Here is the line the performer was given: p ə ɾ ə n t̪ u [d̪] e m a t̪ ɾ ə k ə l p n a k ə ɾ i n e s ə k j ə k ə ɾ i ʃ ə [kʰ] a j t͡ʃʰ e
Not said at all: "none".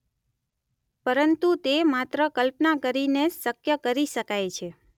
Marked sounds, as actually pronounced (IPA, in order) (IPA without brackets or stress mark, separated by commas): t̪, k